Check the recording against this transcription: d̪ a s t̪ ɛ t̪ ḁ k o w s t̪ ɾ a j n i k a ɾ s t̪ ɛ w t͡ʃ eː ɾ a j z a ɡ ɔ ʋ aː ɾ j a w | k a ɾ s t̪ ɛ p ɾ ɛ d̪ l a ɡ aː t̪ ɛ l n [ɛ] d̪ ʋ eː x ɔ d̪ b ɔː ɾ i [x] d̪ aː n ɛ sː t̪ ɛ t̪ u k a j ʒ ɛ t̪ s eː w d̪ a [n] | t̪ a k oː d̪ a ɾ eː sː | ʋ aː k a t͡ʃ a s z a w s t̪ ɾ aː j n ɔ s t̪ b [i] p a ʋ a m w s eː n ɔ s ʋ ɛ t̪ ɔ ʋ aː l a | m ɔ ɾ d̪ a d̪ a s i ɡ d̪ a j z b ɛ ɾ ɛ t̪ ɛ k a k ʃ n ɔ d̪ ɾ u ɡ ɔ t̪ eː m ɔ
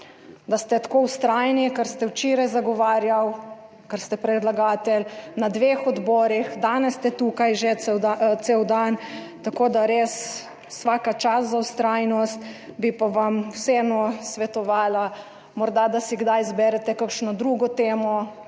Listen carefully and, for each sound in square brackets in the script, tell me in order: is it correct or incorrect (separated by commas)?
incorrect, correct, correct, correct